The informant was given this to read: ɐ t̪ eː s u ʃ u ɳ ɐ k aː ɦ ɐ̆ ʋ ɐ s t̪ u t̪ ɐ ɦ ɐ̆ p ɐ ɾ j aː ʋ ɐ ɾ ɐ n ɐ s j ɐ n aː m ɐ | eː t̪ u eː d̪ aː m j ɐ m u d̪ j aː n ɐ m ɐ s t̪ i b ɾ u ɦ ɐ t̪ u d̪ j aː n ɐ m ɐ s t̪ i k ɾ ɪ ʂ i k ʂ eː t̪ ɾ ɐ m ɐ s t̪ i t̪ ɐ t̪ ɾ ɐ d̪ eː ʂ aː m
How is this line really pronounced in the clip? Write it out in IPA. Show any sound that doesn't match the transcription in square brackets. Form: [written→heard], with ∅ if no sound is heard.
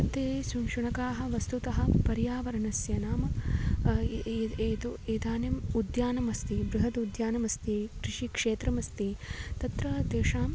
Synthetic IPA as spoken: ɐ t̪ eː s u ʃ u ɳ ɐ k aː ɦ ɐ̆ ʋ ɐ s t̪ u t̪ ɐ ɦ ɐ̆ p ɐ ɾ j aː ʋ ɐ ɾ ɐ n ɐ s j ɐ n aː m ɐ | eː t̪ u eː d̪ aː [m→n] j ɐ m u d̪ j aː n ɐ m ɐ s t̪ i b ɾ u ɦ ɐ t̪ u d̪ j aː n ɐ m ɐ s t̪ i k ɾ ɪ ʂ i k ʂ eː t̪ ɾ ɐ m ɐ s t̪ i t̪ ɐ t̪ ɾ ɐ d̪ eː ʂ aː m

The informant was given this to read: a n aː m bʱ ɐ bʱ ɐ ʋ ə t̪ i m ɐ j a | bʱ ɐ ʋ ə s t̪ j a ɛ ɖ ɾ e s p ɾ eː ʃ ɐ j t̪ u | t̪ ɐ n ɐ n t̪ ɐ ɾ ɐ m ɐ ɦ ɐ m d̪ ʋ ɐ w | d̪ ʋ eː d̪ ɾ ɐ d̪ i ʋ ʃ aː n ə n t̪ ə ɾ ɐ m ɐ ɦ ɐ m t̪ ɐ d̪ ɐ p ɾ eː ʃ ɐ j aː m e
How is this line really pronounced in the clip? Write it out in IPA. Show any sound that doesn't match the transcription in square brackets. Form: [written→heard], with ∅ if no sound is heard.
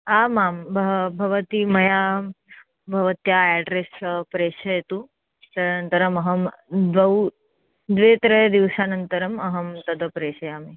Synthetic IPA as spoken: a [n→m] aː m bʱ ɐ bʱ ɐ ʋ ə t̪ i m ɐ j a | bʱ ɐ ʋ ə [s→∅] t̪ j a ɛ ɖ ɾ e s p ɾ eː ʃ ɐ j t̪ u | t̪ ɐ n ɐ n t̪ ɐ ɾ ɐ m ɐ ɦ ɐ m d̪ ʋ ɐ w | d̪ ʋ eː [d̪→t̪] ɾ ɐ d̪ i ʋ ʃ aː n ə n t̪ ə ɾ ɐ m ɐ ɦ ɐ m t̪ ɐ d̪ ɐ p ɾ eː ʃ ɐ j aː m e

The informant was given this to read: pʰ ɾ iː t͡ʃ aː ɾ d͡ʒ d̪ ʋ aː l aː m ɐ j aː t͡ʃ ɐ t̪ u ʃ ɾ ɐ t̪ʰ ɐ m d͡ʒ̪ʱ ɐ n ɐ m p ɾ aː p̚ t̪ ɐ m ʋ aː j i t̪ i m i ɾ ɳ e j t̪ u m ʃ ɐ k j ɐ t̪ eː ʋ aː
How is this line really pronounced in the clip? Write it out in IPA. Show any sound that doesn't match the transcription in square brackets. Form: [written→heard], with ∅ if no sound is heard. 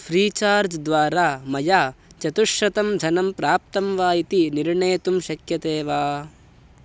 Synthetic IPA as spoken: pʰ ɾ iː t͡ʃ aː ɾ d͡ʒ d̪ ʋ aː [l→ɾ] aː m ɐ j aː t͡ʃ ɐ t̪ u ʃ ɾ ɐ [t̪ʰ→t̪] ɐ m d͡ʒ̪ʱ ɐ n ɐ m p ɾ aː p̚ t̪ ɐ m ʋ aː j i t̪ i [m→n] i ɾ ɳ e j t̪ u m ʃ ɐ k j ɐ t̪ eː ʋ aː

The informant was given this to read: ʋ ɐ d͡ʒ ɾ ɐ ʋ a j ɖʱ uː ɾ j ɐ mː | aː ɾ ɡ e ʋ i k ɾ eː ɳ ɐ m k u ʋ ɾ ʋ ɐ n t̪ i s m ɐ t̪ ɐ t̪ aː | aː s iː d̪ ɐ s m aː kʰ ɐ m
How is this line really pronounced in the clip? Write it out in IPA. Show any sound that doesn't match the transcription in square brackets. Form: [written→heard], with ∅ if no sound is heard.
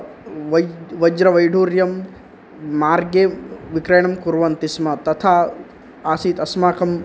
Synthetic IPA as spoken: ʋ ɐ d͡ʒ ɾ ɐ ʋ [a→ɐ] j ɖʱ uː ɾ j ɐ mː | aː ɾ ɡ e ʋ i k ɾ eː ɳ ɐ m k u [ʋ→∅] ɾ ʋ ɐ n t̪ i s m ɐ t̪ ɐ [t̪→t̪ʰ] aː | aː s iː [d̪→t̪] ɐ s m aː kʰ ɐ m

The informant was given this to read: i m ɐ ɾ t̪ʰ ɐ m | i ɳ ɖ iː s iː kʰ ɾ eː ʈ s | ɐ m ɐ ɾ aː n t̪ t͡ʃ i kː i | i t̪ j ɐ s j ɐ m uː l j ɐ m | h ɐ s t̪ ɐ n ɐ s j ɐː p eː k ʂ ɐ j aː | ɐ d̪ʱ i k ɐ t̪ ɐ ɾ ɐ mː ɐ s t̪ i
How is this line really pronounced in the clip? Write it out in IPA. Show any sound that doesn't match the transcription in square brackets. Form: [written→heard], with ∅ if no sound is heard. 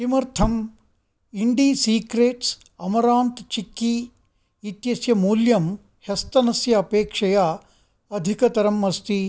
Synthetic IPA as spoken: i m ɐ ɾ t̪ʰ ɐ m | i ɳ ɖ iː s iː [kʰ→k] ɾ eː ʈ s | ɐ m ɐ ɾ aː n t̪ t͡ʃ i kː i | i t̪ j ɐ s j ɐ m uː l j ɐ m | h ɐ s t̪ ɐ n ɐ s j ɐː p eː k ʂ ɐ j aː | ɐ d̪ʱ i k ɐ t̪ ɐ ɾ ɐ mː ɐ s t̪ i

